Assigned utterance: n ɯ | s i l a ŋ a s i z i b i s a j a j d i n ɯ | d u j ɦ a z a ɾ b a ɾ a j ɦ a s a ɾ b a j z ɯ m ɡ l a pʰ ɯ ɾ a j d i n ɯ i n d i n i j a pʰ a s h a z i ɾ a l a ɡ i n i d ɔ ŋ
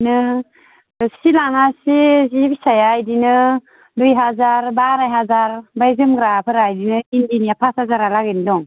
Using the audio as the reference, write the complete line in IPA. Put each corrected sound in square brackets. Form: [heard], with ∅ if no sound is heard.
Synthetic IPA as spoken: n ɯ | s i l a ŋ a s i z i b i s a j a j d i n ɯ | d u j ɦ a z a ɾ b a ɾ a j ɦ a [z] a ɾ b a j z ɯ m ɡ [ɾ] a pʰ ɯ ɾ a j d i n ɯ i n d i n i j a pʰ a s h a z [a] ɾ a l a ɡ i n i d ɔ ŋ